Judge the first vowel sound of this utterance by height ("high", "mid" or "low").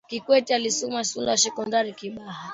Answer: high